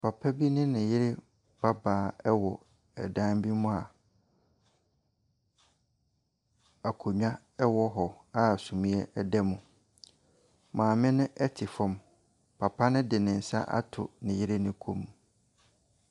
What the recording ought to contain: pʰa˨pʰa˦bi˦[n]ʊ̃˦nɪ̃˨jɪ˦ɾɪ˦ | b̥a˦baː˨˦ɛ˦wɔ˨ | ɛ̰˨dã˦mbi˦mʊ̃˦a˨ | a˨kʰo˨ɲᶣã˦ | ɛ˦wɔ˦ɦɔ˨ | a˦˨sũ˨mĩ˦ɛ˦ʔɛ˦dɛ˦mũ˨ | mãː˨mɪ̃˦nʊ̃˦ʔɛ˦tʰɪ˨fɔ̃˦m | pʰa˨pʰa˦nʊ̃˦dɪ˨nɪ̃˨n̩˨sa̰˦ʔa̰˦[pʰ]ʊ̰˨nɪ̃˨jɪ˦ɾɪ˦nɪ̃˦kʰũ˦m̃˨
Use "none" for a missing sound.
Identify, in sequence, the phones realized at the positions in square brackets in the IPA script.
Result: n, tʰ

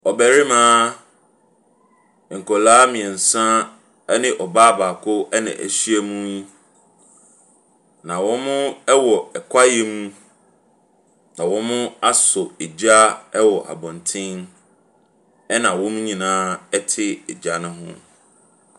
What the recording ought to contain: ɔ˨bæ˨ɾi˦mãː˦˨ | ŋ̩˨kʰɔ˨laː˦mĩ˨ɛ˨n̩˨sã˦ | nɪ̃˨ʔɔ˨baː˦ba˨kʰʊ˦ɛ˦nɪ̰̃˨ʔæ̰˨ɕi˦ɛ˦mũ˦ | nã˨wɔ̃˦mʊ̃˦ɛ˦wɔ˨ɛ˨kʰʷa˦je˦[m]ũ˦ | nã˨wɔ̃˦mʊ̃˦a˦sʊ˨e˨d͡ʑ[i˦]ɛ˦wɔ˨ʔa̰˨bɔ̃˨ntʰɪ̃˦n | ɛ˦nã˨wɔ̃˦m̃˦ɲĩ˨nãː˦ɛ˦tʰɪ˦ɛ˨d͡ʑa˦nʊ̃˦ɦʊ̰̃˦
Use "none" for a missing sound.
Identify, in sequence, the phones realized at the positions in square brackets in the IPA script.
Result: m, a˦

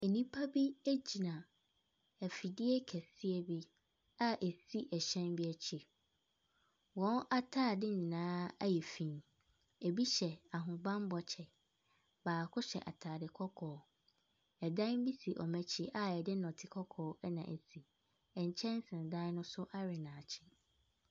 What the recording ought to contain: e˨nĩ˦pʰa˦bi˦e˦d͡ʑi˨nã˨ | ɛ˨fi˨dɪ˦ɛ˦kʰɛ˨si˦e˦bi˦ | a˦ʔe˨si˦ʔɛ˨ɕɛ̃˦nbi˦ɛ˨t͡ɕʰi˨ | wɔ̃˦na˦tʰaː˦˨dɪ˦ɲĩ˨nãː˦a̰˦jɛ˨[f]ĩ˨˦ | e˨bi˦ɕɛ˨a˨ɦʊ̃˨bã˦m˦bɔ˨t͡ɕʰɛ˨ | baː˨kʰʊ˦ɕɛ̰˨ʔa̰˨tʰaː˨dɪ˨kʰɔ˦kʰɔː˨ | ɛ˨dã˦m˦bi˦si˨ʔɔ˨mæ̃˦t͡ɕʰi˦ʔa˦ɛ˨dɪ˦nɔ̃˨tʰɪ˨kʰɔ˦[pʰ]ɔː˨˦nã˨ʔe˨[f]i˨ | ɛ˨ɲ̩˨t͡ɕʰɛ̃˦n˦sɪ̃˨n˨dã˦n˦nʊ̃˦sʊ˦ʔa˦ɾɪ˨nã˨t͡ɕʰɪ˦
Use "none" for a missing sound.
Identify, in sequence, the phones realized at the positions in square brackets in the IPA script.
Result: f, kʰ, s

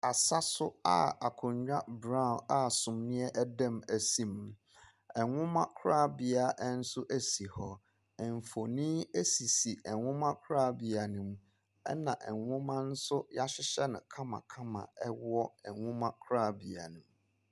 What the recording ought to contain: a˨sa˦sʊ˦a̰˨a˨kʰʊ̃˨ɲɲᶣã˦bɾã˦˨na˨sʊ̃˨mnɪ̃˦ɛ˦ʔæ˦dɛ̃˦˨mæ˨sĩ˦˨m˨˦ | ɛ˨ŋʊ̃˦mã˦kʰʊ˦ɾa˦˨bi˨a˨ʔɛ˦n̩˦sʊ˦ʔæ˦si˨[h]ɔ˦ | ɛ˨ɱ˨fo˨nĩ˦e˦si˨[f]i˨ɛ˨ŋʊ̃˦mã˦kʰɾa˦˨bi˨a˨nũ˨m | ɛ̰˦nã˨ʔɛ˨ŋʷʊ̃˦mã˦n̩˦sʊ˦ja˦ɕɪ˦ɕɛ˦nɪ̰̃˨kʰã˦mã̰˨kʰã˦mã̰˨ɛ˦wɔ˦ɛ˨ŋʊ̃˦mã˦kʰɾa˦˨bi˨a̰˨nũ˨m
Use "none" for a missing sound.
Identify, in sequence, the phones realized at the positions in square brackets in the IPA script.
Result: h, s

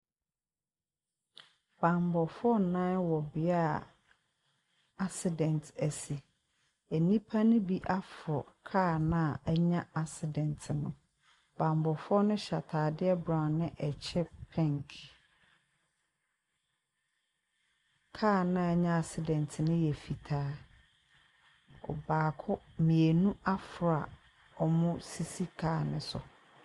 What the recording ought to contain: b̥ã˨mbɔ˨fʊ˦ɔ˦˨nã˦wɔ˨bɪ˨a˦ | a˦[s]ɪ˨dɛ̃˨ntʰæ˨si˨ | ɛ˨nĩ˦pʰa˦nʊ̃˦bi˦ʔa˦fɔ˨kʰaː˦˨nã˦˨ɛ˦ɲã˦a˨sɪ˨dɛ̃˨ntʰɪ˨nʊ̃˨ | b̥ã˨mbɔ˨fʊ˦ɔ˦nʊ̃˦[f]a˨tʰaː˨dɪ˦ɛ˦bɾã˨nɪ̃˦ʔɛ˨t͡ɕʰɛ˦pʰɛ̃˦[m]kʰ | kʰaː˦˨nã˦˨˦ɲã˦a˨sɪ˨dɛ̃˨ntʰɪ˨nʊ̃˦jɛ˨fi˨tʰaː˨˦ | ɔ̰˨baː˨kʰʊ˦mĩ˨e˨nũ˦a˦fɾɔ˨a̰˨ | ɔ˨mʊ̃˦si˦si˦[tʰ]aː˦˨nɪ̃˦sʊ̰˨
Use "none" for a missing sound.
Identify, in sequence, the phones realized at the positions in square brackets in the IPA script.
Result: s, ɕ, ŋ, kʰ

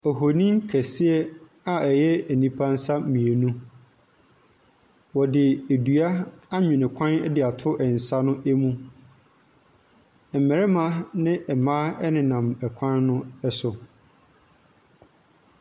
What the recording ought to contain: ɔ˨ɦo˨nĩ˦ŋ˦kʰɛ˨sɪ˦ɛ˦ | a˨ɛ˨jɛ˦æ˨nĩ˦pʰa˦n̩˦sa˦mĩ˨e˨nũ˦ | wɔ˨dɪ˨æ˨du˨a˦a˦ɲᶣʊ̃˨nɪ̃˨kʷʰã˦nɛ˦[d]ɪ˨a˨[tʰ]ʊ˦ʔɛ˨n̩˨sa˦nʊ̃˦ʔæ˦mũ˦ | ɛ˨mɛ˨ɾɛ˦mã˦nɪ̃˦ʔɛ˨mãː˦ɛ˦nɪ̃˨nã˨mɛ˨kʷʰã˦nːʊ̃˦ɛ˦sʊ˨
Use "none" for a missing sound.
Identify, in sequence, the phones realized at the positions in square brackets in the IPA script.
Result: d, tʰ

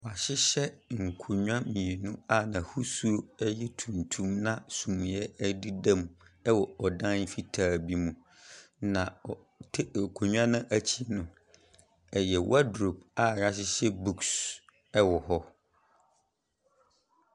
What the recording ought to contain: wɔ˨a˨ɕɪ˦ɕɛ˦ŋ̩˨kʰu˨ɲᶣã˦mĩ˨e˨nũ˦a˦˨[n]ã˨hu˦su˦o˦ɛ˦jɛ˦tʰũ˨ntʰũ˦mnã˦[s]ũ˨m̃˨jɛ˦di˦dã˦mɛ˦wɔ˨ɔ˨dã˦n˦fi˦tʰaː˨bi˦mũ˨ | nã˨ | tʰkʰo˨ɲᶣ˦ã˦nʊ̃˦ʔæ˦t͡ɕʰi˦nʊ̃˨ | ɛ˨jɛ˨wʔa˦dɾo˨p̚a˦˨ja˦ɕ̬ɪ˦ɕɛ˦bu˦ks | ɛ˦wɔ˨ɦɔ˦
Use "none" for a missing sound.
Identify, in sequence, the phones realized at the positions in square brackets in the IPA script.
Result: n, s

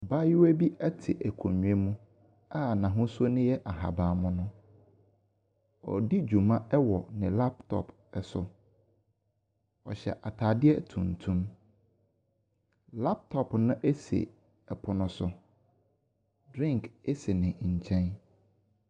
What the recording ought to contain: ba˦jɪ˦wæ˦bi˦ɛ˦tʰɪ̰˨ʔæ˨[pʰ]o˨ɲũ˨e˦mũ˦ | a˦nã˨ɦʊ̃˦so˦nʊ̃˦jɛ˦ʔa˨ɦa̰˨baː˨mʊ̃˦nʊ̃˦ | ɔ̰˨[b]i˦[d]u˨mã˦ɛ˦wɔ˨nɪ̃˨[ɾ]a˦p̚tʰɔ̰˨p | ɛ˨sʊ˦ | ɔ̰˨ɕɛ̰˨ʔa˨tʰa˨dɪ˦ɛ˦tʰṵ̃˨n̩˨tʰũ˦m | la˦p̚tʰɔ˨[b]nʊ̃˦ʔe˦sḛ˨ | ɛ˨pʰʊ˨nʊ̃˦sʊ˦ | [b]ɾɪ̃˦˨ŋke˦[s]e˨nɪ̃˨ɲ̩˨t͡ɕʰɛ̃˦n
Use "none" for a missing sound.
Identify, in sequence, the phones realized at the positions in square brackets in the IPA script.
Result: kʰ, d, d͡ʑ, l, p, d, s

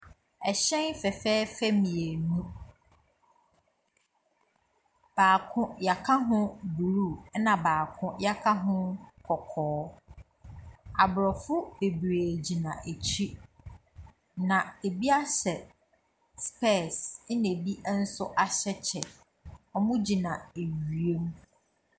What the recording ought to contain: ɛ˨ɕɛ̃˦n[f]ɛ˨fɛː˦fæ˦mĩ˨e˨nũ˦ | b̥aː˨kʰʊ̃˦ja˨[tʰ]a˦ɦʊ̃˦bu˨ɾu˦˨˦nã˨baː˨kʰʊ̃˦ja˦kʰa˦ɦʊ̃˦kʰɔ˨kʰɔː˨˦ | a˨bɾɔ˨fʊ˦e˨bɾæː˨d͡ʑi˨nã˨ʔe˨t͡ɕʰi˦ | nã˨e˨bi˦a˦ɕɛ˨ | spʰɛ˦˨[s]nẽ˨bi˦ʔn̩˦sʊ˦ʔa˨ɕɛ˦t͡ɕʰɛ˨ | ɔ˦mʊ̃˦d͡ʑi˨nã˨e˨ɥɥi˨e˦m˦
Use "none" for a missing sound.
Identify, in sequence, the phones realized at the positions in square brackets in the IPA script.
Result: f, kʰ, s

